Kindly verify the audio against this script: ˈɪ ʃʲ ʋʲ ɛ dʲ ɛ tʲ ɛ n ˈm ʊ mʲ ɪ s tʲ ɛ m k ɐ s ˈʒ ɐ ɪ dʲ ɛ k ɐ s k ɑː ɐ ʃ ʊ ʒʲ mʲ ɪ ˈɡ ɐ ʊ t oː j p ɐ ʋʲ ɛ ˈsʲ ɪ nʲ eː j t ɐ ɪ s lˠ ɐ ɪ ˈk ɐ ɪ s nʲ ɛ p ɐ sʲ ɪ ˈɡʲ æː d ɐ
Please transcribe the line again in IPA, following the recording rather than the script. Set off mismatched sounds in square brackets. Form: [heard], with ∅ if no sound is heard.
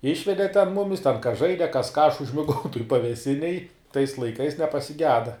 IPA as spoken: ˈɪ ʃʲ ʋʲ ɛ dʲ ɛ tʲ ɛ n ˈm ʊ mʲ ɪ s tʲ ɛ [n] k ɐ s ˈʒ ɐ ɪ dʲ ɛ k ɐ s k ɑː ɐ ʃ ʊ ʒʲ mʲ ɪ ˈɡ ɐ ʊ t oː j p ɐ ʋʲ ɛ ˈsʲ ɪ nʲ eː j t ɐ ɪ s lˠ ɐ ɪ ˈk ɐ ɪ s nʲ ɛ p ɐ sʲ ɪ ˈɡʲ æː d ɐ